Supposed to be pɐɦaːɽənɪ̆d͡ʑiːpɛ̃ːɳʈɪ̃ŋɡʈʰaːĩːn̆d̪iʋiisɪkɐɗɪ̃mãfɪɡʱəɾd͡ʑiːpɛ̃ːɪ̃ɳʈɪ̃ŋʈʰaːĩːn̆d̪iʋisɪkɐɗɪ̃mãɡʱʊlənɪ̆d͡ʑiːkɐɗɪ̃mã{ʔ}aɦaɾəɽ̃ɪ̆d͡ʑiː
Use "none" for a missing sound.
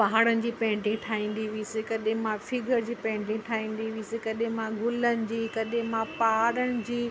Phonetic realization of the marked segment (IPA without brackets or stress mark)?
p